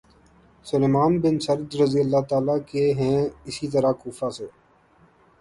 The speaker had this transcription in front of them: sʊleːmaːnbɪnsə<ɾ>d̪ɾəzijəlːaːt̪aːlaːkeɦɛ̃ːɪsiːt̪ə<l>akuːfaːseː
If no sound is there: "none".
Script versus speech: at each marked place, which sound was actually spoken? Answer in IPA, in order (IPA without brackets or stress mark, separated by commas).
ɾ, ɾ